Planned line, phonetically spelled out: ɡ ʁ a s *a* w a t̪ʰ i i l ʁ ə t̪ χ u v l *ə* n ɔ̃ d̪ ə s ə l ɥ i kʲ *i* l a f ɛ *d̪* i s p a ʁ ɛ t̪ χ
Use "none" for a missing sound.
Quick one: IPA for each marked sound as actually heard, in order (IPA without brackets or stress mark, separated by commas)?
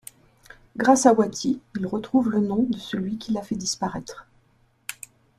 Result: a, ə, i, d̪